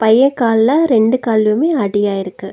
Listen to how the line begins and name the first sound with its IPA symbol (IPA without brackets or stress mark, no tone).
p